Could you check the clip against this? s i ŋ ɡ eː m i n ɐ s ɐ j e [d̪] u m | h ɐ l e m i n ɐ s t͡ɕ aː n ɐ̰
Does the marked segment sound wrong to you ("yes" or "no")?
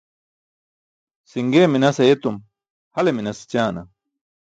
yes